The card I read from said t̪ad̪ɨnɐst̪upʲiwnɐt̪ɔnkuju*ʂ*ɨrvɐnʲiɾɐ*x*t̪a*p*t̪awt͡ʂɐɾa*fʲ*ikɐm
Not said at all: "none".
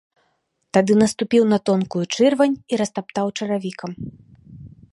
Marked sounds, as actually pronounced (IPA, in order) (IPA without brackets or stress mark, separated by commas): t͡ʂ, s, p, vʲ